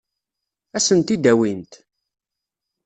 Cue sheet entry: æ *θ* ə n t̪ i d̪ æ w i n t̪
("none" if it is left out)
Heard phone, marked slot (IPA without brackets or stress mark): s